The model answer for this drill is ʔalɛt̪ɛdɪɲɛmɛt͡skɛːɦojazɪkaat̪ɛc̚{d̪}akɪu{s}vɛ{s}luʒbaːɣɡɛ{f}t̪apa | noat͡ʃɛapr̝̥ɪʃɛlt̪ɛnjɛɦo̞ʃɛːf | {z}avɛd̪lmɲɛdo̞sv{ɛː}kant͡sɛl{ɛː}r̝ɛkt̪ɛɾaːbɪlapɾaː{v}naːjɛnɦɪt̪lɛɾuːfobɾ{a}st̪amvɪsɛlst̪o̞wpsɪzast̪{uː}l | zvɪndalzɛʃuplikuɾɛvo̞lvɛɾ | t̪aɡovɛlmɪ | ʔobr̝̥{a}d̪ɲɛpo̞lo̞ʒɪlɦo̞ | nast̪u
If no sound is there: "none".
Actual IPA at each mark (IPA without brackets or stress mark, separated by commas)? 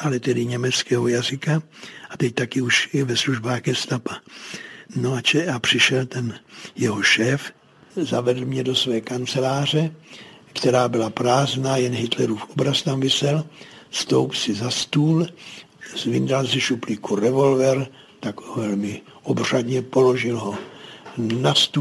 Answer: t̪, ʃ, s, s, z, ɛː, aː, z, a, uː, a